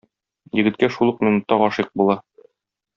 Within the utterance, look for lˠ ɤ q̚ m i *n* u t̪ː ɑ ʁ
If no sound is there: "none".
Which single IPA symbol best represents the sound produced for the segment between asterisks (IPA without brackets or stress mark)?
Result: n